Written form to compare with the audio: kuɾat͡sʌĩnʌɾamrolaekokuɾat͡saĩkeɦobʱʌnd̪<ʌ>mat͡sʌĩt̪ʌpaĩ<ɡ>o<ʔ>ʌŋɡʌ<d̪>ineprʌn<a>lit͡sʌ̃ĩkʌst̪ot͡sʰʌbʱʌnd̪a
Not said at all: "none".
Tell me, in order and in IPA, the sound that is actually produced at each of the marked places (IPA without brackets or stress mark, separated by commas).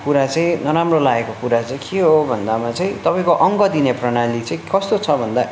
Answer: a, k, ʔ, d̪, a